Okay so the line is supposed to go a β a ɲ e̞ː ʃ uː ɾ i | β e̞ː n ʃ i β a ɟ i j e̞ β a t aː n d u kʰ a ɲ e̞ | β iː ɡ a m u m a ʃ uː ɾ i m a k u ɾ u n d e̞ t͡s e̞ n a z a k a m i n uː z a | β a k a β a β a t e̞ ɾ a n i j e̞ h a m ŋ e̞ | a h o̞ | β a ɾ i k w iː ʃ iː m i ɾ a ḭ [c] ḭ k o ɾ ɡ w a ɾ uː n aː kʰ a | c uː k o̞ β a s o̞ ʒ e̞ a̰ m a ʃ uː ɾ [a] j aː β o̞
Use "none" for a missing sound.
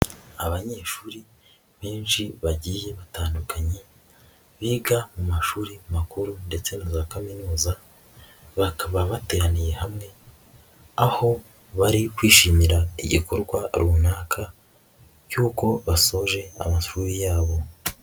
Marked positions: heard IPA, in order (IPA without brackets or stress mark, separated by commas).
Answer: ɟ, i